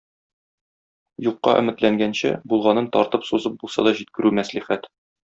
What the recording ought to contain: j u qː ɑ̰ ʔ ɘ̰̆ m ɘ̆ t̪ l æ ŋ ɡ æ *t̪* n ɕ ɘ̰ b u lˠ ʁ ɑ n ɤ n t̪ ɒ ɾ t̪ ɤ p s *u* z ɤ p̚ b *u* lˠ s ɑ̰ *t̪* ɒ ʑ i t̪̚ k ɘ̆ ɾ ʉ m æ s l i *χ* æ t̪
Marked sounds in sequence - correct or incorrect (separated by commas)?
incorrect, correct, correct, incorrect, correct